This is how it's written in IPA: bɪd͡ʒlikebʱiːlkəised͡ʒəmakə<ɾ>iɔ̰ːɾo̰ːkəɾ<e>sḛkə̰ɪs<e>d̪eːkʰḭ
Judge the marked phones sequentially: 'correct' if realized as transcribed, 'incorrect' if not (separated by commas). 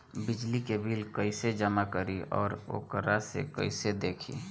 correct, incorrect, correct